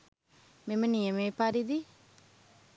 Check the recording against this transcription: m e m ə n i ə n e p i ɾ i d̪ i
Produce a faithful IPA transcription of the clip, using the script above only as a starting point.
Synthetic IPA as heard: m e m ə n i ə m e p a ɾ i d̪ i